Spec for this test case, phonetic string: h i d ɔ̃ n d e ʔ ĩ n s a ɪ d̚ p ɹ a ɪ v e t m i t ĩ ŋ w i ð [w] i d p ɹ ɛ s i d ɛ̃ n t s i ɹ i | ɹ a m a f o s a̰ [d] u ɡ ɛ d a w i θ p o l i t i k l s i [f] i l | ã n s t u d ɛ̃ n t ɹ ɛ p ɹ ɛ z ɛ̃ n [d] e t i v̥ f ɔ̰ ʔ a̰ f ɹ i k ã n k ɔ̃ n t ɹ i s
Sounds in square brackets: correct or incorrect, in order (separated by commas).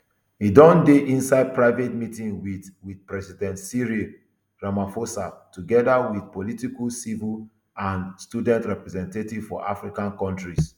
correct, incorrect, incorrect, incorrect